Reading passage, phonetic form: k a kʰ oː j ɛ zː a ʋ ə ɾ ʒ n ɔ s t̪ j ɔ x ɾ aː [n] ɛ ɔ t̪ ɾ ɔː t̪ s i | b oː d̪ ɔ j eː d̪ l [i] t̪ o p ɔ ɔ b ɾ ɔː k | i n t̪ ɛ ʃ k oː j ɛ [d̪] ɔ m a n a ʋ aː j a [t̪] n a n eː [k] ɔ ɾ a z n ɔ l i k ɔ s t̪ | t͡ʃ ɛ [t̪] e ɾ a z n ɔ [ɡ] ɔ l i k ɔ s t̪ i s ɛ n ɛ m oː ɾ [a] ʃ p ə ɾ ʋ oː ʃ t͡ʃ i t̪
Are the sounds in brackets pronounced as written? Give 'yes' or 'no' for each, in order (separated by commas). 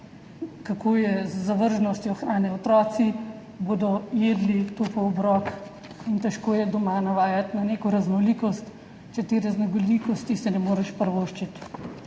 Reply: yes, yes, yes, yes, yes, yes, yes, no